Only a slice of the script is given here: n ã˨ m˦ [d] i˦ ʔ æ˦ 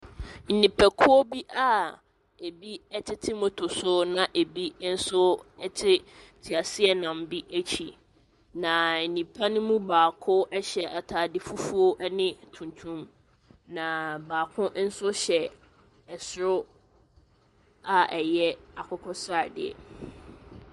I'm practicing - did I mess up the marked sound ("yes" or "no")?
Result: yes